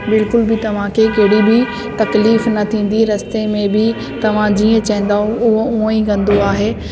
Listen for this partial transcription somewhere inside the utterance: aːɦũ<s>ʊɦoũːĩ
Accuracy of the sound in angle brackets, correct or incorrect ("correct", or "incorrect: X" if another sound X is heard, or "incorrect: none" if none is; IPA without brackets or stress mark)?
incorrect: none